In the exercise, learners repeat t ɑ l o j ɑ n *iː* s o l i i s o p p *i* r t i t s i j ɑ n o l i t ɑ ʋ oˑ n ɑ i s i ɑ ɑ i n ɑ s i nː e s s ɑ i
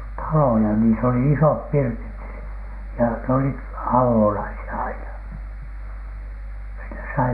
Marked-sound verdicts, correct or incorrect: correct, correct

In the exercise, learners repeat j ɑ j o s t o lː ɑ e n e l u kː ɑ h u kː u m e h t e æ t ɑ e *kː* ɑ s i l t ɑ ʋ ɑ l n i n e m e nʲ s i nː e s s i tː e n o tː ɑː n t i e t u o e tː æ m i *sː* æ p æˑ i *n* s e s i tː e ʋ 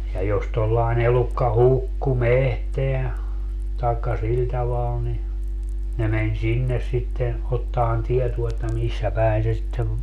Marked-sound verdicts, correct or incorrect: correct, correct, correct

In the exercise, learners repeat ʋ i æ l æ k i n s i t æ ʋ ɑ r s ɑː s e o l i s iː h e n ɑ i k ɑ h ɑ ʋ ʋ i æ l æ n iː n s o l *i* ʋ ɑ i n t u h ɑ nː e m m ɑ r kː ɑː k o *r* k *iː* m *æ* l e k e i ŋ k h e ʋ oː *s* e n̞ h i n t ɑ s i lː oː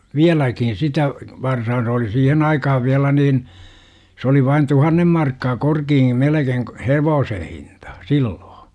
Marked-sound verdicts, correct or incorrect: correct, correct, correct, incorrect: e, correct

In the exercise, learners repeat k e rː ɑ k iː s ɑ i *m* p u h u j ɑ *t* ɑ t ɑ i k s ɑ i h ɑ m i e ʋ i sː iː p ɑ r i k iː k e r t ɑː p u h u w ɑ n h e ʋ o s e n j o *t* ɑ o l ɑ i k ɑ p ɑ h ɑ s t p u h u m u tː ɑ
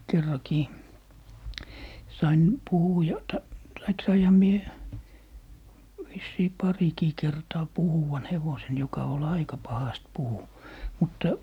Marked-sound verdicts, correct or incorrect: incorrect: n, correct, incorrect: k

